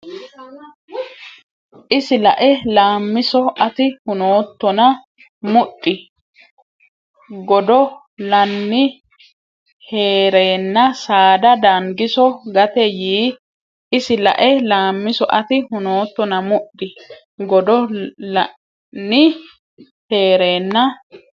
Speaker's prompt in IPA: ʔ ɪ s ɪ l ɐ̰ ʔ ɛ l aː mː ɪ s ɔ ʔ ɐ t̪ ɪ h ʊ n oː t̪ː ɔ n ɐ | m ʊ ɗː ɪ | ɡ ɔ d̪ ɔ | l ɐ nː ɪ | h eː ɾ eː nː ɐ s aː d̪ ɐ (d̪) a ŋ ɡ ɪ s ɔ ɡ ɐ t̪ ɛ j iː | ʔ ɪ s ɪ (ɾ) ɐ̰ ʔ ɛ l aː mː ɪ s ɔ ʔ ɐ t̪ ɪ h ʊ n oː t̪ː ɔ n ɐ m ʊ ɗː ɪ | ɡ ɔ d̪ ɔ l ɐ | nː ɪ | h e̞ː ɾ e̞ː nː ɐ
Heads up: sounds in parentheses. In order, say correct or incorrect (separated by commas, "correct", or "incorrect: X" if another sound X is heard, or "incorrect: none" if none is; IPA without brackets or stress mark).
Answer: correct, incorrect: l